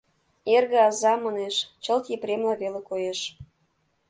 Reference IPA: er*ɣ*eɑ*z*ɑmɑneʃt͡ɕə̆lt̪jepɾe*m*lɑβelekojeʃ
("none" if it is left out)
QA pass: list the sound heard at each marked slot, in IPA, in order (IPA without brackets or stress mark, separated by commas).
ɣ, z, m